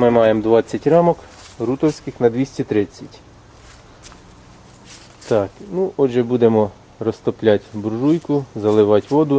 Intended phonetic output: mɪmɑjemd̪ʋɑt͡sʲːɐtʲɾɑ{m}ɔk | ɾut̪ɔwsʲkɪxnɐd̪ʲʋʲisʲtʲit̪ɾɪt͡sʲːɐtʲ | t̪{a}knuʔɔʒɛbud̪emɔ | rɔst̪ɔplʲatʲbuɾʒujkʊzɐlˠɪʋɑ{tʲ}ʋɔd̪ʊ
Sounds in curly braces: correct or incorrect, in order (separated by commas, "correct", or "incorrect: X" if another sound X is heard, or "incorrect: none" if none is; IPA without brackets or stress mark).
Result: correct, incorrect: ɑ, correct